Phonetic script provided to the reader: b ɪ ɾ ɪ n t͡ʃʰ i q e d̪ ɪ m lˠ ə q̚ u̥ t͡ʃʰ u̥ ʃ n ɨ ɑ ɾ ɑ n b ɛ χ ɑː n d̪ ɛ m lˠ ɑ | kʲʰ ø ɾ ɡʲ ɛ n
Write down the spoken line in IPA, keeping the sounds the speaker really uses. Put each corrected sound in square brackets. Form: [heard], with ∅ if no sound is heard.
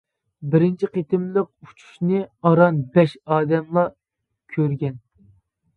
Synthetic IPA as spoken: b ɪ ɾ ɪ n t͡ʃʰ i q e [t̪] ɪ m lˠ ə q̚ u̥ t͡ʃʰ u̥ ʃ n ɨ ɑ ɾ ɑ n b ɛ [ʃ] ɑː [∅] d̪ ɛ m lˠ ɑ | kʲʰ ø ɾ ɡʲ ɛ n